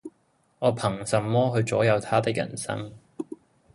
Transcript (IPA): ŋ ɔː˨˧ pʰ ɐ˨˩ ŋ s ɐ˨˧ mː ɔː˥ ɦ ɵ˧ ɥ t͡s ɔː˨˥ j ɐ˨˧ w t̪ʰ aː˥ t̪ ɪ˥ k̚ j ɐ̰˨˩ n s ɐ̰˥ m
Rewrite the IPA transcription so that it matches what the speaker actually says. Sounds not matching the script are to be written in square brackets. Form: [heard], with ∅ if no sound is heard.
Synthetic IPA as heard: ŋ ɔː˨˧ pʰ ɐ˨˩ ŋ s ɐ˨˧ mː ɔː˥ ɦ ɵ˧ ɥ t͡s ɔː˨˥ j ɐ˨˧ w t̪ʰ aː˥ t̪ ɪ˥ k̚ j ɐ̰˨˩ n s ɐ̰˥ [ŋ]